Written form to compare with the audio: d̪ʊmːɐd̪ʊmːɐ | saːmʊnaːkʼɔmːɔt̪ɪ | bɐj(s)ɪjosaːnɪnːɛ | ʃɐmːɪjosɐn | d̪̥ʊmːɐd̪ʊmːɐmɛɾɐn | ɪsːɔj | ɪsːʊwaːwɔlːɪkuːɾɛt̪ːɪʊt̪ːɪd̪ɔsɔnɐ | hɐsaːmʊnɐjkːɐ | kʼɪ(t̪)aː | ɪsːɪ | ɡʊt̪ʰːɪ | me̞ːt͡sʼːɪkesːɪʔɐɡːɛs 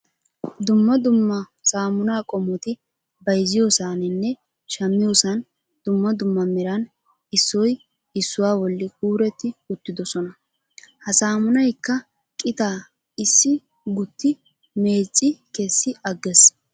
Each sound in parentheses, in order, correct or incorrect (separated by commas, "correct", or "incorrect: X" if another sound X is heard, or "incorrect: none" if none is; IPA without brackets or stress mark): incorrect: z, correct